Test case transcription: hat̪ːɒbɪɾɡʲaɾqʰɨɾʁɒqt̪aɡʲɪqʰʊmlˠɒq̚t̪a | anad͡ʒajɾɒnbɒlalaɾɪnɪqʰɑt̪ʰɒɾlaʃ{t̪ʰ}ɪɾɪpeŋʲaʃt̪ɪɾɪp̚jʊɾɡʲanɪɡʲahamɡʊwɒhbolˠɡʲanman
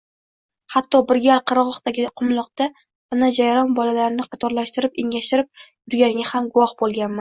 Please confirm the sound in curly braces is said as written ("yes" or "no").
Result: no